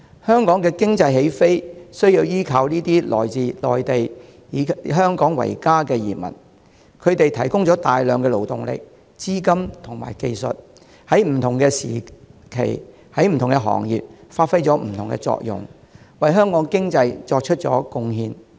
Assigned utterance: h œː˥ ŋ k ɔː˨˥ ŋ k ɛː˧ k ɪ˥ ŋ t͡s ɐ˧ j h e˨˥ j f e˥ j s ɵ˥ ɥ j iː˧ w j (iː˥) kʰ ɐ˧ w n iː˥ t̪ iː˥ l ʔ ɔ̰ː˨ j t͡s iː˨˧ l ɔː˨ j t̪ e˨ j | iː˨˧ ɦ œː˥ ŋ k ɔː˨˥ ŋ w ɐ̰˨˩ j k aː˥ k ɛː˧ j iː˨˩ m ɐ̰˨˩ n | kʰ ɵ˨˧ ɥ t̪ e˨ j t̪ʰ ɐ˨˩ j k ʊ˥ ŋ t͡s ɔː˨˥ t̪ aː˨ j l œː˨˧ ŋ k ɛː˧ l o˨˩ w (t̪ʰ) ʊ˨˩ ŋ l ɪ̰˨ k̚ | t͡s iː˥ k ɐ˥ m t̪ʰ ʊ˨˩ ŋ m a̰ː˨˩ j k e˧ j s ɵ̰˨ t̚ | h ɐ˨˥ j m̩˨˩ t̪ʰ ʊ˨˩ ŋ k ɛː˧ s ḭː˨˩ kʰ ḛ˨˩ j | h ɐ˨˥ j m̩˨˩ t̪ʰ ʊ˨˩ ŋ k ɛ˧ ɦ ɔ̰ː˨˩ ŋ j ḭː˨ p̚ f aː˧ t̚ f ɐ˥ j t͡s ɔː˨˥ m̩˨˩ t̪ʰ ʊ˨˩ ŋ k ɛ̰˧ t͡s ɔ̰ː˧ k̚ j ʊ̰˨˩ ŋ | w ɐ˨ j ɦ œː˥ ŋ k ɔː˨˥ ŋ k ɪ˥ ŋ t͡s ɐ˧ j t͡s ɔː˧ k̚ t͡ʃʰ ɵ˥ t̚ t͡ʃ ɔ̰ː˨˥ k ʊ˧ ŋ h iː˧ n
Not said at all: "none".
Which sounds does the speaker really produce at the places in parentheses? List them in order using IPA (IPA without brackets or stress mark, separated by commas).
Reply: iː˥, t̪